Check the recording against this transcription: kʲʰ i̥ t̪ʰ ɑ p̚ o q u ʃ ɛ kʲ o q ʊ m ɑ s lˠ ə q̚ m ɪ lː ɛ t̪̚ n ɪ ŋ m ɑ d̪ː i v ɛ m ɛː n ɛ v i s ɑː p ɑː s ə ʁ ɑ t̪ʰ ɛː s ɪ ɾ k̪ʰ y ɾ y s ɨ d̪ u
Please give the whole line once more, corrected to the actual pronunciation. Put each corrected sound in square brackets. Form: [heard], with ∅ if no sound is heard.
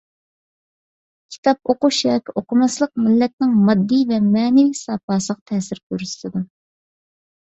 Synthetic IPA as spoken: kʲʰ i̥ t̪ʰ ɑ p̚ o q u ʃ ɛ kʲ o q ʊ m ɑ s lˠ ə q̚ m ɪ lː ɛ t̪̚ n ɪ ŋ m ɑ d̪ː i v ɛ m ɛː n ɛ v i s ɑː p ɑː s ə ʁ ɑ t̪ʰ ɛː s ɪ ɾ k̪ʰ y ɾ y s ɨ d̪ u